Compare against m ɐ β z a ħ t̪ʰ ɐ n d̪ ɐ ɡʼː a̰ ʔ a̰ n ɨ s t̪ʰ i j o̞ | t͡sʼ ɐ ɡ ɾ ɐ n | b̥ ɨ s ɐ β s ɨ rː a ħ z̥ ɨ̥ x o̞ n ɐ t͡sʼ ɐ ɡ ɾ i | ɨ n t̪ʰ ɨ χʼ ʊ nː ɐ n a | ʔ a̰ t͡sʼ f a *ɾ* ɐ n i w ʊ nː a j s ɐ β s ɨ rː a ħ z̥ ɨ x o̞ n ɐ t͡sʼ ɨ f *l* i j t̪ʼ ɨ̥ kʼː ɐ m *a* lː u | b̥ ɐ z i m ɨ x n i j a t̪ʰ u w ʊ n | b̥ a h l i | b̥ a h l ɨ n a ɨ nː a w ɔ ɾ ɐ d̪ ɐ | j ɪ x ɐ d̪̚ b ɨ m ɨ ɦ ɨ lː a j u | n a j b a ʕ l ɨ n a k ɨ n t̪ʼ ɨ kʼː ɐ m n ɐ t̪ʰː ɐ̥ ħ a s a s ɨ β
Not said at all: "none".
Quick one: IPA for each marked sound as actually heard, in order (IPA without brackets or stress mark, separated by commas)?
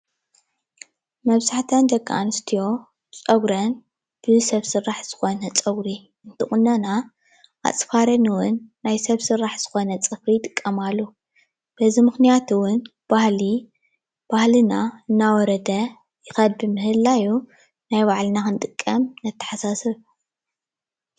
ɾ, ɾ, a